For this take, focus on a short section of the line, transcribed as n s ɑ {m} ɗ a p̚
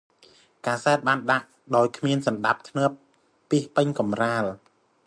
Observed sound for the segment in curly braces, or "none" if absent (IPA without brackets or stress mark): n